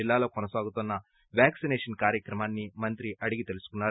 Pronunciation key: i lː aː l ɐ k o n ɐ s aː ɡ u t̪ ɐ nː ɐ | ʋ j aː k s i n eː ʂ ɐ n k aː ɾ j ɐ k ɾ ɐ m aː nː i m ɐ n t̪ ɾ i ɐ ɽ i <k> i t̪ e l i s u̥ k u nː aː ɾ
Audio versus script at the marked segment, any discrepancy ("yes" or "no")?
yes